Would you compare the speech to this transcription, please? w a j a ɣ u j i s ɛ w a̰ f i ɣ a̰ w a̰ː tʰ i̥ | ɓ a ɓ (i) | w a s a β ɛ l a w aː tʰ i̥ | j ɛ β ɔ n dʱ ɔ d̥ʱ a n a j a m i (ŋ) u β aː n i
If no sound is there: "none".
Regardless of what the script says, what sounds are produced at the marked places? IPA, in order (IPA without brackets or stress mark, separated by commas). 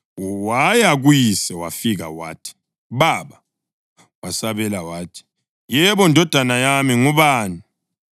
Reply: a, ŋ